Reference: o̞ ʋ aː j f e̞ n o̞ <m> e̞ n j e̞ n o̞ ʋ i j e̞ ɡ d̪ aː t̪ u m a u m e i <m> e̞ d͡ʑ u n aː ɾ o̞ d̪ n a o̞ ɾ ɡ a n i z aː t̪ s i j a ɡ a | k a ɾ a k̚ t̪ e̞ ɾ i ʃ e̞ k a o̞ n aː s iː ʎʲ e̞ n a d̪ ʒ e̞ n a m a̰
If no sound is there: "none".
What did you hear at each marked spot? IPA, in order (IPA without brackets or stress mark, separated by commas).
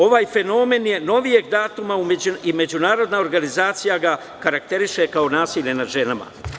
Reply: m, m